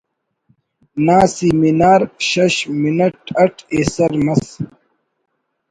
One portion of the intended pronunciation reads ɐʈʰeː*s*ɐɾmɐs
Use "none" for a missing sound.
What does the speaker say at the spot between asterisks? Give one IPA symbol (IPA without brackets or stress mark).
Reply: s